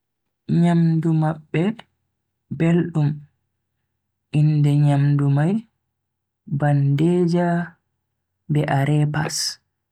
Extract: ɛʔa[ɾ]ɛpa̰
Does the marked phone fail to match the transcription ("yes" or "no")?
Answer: no